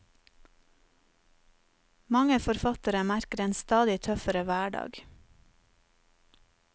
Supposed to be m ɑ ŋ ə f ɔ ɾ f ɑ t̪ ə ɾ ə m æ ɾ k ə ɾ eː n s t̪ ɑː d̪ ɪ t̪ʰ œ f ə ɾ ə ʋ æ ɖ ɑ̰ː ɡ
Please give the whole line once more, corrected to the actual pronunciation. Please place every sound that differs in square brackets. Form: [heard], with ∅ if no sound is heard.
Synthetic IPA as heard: m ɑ ŋ ə f ɔ ɾ f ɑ t̪ ə ɾ ə m æ ɾ k ə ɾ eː n s t̪ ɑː d̪ ɪ t̪ʰ œ f ə ɾ ə ʋ [æː] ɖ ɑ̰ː ɡ